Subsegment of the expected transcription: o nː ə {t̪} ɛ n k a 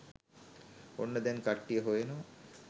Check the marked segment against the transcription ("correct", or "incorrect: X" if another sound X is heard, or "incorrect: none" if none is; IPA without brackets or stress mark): incorrect: d̪